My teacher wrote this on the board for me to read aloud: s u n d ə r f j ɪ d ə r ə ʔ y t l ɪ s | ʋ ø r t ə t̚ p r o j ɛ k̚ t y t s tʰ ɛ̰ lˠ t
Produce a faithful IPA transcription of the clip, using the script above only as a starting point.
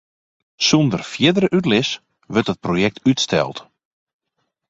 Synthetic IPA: s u n d ə r f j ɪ d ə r ə ʔ y t l ɪ s | ʋ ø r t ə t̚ p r o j ɛ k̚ t y t s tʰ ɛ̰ lˠ t